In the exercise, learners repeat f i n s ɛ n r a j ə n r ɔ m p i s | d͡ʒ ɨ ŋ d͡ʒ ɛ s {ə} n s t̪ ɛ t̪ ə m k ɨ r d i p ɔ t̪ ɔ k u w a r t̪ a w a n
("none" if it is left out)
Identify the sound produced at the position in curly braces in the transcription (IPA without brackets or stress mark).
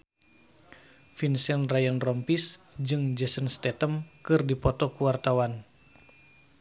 ə